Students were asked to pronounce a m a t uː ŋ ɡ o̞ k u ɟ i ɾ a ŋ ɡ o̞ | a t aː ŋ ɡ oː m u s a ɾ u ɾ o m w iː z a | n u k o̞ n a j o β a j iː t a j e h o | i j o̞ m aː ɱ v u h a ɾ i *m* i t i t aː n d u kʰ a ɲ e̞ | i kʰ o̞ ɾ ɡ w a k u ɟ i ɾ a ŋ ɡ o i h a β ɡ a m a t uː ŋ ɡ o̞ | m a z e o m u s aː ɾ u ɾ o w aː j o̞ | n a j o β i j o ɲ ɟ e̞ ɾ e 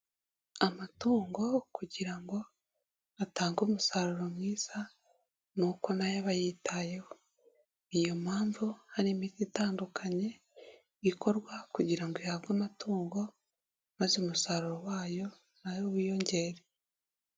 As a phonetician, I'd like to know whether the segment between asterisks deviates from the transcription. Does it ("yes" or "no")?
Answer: no